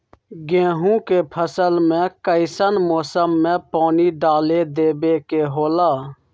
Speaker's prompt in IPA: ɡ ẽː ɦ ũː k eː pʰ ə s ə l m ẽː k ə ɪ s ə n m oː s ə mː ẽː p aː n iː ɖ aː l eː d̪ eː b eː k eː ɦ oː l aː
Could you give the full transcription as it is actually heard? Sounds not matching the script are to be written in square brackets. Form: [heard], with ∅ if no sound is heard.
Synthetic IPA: ɡ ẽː ɦ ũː k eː pʰ ə s ə l m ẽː k ə ɪ s ə n m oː s ə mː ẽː p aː n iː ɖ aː l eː d̪ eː b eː k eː ɦ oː l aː